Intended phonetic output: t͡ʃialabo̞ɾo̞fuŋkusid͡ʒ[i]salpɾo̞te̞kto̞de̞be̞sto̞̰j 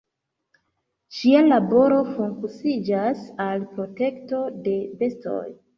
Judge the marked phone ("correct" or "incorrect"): incorrect